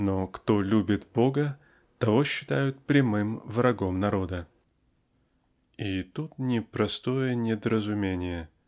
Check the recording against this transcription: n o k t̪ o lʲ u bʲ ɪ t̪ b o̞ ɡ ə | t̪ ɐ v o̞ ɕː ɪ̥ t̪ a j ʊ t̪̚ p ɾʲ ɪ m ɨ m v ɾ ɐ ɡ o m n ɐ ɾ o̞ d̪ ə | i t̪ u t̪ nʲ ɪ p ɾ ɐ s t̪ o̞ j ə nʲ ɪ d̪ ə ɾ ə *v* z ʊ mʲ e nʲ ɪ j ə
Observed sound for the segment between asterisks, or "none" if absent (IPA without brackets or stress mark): none